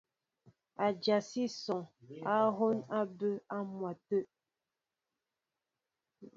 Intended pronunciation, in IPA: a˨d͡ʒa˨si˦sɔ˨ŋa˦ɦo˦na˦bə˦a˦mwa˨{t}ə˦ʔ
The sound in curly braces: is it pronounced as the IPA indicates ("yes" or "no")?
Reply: yes